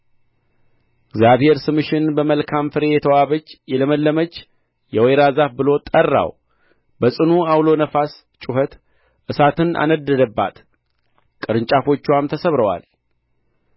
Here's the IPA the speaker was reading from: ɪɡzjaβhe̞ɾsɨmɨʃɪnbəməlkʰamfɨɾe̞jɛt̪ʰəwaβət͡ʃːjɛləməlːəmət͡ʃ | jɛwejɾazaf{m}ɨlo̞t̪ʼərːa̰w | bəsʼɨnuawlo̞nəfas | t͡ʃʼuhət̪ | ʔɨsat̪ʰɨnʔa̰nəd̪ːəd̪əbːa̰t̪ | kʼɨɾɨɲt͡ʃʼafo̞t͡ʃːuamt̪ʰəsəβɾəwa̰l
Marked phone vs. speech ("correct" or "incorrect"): incorrect